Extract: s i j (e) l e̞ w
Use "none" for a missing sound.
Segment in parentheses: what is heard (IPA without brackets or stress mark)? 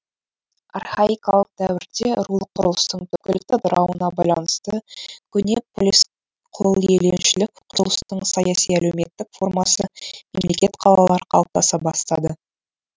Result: æ